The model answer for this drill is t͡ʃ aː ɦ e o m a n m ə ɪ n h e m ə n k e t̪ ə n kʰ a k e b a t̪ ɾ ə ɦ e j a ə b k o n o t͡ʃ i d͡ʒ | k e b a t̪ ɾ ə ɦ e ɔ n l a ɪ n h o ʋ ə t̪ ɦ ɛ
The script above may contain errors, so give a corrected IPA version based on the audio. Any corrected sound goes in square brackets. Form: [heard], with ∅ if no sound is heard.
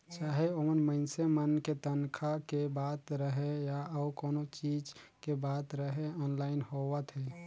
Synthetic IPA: t͡ʃ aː ɦ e o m [ə] n m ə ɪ n [s] e m ə n k e t̪ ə n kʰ a k e b a t̪ ɾ ə ɦ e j a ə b k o n o t͡ʃ i d͡ʒ | k e b a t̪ ɾ ə ɦ e ɔ n l a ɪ n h o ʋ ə t̪ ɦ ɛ